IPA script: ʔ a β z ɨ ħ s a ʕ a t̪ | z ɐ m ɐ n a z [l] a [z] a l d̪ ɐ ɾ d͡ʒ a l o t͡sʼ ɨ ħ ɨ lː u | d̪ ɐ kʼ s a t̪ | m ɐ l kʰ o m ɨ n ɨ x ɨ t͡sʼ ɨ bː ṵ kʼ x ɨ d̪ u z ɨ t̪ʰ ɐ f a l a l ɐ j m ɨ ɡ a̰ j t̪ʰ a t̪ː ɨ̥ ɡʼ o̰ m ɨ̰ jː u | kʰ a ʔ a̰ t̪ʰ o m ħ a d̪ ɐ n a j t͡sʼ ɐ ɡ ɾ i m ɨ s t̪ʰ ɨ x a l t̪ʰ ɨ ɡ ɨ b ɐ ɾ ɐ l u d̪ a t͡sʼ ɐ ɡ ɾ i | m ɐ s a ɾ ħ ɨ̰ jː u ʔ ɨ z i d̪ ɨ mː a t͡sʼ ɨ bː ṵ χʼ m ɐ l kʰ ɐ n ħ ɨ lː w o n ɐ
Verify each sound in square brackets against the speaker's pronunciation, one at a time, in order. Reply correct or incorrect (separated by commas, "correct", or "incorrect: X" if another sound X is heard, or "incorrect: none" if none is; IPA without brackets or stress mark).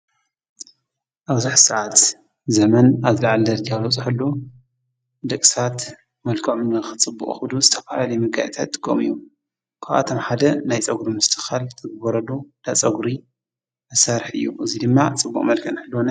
correct, incorrect: ʕ